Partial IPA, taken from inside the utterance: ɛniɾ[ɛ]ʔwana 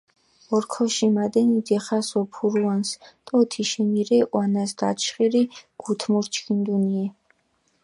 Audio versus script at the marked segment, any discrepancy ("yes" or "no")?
no